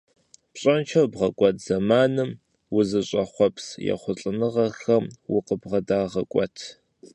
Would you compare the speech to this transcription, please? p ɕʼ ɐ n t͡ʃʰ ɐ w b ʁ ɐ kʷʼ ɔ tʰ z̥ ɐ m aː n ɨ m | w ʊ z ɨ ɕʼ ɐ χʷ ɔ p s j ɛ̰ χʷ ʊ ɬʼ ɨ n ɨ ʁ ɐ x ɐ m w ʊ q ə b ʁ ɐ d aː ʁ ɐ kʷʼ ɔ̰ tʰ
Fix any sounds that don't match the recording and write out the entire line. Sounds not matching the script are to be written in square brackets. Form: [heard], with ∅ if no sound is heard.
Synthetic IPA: p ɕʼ ɐ n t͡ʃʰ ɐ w b ʁ ɐ kʷʼ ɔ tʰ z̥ ɐ m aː n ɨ m | w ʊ z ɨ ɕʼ ɐ χʷ ɔ p s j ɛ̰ χʷ ʊ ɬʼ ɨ n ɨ ʁ ɐ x ɐ m w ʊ q ə b ʁ ɐ d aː ʁ ɐ kʷʼ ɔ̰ tʰ

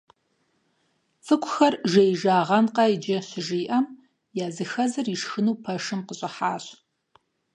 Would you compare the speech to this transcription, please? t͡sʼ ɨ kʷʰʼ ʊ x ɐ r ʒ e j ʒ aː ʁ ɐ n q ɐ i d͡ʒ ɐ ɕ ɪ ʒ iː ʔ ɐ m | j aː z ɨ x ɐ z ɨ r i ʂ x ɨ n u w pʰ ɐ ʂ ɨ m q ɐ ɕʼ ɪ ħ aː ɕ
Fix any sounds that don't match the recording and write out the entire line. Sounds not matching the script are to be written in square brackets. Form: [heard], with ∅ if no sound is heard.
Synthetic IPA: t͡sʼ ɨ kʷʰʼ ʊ x ɐ r ʒ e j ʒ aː ʁ ɐ n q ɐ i d͡ʒ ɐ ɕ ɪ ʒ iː ʔ ɐ m | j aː z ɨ x ɐ z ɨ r i ʂ x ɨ n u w pʰ ɐ ʂ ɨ m q [ə] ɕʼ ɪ ħ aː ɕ

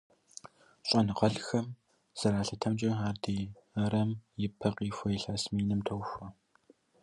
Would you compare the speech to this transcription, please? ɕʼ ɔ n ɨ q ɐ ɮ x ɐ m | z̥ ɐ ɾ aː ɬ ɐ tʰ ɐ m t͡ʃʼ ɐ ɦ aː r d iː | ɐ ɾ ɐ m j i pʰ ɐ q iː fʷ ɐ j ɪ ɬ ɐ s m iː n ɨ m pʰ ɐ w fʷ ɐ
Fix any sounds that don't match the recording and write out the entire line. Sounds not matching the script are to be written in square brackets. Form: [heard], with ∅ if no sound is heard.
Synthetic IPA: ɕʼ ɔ n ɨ q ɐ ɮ x ɐ m | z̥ ɐ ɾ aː ɬ ɐ tʰ ɐ m t͡ʃʼ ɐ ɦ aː r d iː | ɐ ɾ ɐ m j [ɪ] pʰ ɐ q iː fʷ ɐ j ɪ ɬ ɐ s m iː n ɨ m [tʰ] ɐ w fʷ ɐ

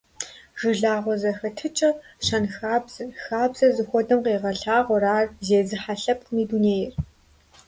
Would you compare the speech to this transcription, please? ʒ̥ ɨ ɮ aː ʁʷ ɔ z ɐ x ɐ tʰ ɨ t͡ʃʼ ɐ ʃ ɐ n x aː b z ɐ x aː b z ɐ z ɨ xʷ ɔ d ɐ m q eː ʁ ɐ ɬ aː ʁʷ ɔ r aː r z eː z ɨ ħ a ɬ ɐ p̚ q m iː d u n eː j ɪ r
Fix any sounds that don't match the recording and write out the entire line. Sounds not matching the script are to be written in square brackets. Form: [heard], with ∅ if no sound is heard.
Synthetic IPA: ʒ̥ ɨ ɮ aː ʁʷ ɔ z ɐ x ɐ tʰ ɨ t͡ʃʼ ɐ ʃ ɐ n x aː b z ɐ x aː b z ɐ z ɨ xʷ ɔ d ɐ m q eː ʁ ɐ ɬ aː ʁʷ ɔ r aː r z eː z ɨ ħ a ɬ ɐ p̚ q m iː d u n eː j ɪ r

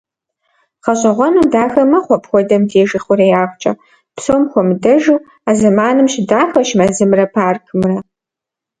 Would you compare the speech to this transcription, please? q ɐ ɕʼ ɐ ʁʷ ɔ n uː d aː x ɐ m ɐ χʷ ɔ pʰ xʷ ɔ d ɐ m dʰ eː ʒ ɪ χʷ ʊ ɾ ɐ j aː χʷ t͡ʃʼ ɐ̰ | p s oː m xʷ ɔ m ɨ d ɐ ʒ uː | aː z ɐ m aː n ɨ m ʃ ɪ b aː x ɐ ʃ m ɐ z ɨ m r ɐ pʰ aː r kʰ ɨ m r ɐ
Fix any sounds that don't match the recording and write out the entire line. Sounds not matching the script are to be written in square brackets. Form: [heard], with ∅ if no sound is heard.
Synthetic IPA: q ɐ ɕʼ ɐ ʁʷ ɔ n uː d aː x ɐ m ɐ χʷ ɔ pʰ xʷ ɔ d ɐ m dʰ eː ʒ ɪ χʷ ʊ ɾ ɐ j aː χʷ t͡ʃʼ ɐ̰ | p s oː m xʷ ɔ m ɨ d ɐ ʒ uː | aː z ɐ m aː n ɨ m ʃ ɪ [d] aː x ɐ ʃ m ɐ z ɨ m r ɐ pʰ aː r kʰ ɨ m r ɐ

